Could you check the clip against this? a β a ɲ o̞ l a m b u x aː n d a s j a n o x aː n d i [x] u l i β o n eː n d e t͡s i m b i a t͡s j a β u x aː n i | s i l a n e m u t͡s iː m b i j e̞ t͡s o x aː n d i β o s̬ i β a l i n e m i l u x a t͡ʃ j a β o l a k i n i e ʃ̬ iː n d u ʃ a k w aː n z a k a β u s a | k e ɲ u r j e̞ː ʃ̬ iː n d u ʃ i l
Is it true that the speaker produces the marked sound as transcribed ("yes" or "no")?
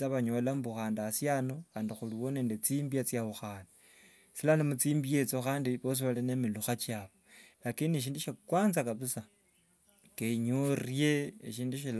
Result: yes